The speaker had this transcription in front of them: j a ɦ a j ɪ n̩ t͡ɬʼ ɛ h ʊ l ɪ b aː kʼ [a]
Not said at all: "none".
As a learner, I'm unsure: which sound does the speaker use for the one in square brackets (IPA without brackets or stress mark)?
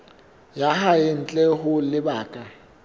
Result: a